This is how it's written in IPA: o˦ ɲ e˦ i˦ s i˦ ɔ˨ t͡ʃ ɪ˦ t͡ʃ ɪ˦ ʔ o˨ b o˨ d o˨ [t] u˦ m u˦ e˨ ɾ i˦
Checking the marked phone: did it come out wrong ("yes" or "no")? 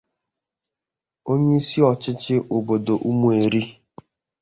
yes